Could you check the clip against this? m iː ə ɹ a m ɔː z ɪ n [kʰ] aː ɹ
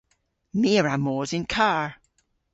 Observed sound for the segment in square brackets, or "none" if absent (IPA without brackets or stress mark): kʰ